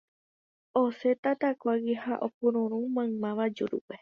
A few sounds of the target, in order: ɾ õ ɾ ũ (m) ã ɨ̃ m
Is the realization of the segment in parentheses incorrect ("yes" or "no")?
no